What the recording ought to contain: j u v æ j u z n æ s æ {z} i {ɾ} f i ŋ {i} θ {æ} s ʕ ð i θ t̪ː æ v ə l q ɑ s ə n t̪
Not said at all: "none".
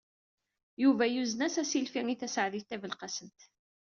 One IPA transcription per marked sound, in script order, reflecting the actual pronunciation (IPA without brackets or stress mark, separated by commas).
s, l, i, æ